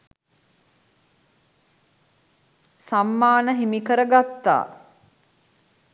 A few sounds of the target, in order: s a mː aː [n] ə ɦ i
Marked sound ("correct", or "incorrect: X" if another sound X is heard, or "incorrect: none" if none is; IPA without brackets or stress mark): correct